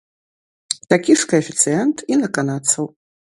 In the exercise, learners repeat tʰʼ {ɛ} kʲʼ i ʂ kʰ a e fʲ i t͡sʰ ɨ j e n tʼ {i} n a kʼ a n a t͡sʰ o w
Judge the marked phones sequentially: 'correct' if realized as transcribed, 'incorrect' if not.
incorrect: a, correct

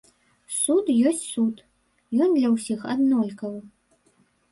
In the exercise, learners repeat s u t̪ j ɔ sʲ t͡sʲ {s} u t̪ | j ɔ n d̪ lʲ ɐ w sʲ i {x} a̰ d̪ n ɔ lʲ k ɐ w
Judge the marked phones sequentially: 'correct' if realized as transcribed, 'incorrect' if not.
correct, correct

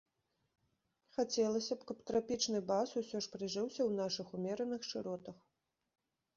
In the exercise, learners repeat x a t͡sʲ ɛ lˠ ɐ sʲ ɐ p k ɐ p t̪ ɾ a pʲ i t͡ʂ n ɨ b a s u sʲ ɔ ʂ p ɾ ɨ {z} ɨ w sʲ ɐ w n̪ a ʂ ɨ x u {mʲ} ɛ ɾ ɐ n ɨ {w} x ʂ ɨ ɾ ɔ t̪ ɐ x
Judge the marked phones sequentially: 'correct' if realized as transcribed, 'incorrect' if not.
incorrect: ʐ, correct, incorrect: none

